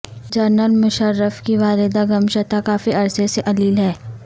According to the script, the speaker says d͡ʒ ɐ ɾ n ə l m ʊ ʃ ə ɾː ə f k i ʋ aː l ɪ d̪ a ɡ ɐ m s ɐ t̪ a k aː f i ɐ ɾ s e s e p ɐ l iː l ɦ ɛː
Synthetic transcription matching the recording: d͡ʒ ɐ ɾ n ə l m ʊ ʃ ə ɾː ə f k i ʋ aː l ɪ d̪ a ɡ ɐ m ʃ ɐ t̪ a k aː f i ɐ ɾ s e s e ʔ ɐ l iː l ɦ ɛː